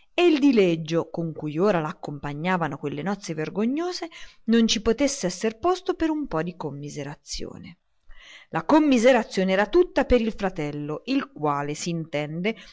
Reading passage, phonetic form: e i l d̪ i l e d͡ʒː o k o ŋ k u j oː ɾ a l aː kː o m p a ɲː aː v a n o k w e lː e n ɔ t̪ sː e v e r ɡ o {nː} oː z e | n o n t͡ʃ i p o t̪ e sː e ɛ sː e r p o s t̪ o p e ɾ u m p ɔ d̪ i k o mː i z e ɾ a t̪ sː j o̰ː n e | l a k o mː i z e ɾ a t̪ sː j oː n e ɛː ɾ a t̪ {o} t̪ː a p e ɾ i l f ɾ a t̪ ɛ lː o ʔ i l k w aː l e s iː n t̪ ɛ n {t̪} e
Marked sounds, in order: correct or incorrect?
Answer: incorrect, incorrect, incorrect

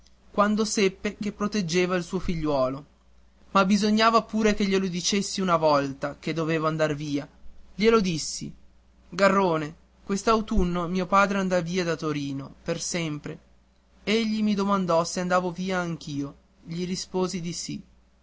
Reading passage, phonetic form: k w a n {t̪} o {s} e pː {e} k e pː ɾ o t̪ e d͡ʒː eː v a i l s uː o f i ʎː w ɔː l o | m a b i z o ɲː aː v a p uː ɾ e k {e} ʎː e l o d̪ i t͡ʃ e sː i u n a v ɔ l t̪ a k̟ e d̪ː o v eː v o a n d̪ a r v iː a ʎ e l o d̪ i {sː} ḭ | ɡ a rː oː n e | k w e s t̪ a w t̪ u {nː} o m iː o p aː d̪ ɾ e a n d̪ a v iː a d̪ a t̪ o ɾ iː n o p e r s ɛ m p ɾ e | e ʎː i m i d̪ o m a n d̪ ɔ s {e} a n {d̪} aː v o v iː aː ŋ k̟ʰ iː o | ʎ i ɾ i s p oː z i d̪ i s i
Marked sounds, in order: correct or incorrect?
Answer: incorrect, correct, correct, correct, correct, correct, correct, correct

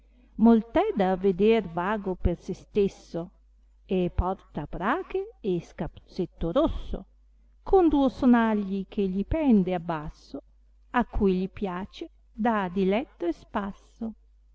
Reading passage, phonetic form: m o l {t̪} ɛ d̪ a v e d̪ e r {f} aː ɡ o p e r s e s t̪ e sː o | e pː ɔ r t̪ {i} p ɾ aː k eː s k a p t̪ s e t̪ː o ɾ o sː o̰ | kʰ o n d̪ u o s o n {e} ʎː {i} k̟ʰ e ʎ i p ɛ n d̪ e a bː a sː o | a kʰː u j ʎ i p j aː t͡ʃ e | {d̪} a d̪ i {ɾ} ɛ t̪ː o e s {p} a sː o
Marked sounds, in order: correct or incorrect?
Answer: correct, incorrect, incorrect, incorrect, correct, correct, incorrect, correct

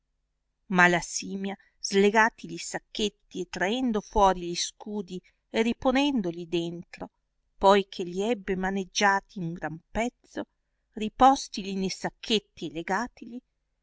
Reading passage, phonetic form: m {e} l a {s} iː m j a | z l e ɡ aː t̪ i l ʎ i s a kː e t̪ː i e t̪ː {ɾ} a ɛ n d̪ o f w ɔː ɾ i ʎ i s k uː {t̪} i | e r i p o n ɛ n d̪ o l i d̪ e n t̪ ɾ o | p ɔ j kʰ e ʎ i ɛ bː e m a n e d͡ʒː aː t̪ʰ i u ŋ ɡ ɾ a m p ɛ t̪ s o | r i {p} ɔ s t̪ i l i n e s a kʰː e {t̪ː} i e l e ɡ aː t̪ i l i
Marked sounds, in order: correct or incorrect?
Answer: incorrect, correct, correct, incorrect, correct, correct

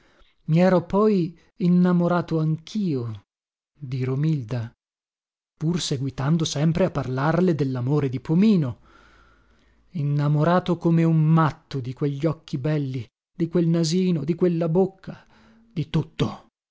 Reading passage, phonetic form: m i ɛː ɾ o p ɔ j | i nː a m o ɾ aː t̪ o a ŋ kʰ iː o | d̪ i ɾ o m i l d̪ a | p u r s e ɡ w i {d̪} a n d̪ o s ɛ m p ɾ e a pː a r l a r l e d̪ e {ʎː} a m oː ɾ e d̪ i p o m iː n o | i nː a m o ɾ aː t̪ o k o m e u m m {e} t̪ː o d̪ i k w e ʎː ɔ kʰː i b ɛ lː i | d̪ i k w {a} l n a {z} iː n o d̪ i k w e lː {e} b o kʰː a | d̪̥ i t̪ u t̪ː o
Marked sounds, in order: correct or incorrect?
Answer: incorrect, incorrect, incorrect, incorrect, correct, incorrect

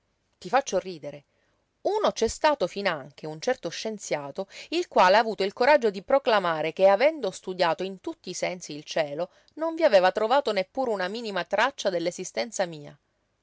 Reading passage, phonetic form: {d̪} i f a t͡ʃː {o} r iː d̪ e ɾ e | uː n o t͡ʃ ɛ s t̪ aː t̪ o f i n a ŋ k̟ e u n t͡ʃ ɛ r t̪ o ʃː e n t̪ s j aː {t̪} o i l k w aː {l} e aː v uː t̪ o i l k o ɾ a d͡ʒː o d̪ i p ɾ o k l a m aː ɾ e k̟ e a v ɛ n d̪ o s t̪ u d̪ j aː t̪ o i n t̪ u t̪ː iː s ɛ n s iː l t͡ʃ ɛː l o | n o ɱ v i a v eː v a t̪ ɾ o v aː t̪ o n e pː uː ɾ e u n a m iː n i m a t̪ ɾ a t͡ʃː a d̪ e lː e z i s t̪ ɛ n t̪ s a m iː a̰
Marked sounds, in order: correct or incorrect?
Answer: incorrect, correct, correct, correct

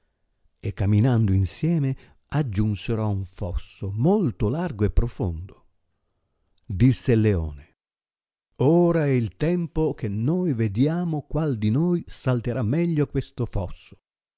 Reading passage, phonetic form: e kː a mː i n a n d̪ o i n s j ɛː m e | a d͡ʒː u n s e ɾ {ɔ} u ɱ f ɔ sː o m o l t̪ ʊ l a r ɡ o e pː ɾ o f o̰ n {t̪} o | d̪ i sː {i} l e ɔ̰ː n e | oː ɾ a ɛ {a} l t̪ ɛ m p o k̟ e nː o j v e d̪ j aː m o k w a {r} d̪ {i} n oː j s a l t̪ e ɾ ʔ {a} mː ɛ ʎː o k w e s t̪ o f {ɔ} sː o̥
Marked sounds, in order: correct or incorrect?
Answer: correct, incorrect, incorrect, incorrect, incorrect, correct, correct, correct

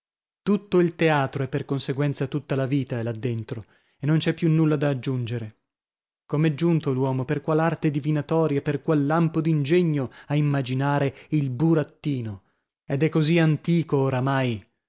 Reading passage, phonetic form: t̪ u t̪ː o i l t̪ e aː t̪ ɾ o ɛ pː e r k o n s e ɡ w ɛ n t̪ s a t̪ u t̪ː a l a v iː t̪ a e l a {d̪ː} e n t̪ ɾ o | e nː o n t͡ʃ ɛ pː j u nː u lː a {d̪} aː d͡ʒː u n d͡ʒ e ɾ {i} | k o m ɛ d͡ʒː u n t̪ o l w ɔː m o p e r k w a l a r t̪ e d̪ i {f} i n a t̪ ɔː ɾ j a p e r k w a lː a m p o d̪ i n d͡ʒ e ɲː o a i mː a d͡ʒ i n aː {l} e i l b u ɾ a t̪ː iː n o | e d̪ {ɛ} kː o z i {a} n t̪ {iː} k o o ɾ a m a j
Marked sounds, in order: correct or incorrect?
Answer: correct, correct, incorrect, incorrect, incorrect, correct, correct, correct

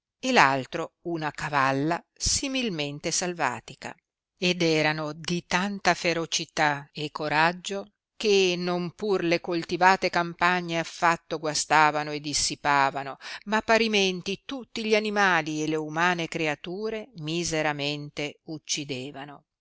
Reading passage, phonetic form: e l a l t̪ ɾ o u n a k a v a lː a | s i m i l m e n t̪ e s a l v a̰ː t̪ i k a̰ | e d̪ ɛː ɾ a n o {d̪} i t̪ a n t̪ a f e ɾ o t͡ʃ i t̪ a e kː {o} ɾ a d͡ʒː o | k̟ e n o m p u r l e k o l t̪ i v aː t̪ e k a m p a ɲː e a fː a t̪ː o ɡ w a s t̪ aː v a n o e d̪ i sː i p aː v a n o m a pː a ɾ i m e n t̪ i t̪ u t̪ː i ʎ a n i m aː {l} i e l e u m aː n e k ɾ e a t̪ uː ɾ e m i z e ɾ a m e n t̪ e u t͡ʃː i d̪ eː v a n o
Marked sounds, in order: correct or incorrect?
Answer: correct, correct, correct

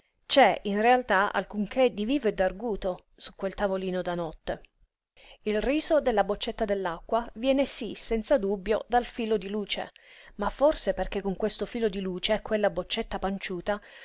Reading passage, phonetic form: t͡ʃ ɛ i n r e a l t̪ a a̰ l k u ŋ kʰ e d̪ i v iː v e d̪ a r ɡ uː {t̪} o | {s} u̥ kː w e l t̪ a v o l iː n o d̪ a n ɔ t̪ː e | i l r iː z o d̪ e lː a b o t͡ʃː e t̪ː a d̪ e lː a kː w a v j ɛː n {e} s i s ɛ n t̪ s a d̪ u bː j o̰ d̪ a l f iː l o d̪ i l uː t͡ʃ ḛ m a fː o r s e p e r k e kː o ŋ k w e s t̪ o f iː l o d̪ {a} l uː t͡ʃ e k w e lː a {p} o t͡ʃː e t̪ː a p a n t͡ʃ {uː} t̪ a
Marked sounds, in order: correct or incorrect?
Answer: correct, correct, correct, incorrect, incorrect, correct

